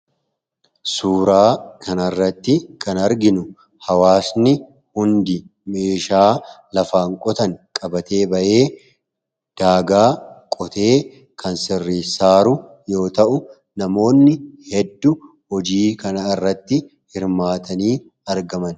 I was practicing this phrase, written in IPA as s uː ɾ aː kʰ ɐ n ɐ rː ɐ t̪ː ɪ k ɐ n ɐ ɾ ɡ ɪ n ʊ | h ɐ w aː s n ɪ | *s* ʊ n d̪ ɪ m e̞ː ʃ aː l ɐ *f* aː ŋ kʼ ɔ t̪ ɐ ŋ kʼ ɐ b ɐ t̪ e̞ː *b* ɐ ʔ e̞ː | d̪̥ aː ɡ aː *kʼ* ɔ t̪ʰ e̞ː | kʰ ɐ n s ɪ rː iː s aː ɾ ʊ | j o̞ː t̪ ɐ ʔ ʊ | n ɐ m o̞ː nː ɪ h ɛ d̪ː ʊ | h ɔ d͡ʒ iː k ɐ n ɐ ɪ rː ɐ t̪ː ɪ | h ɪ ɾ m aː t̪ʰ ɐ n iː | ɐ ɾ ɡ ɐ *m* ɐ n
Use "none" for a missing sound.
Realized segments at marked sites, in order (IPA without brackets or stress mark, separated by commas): h, f, b, kʼ, m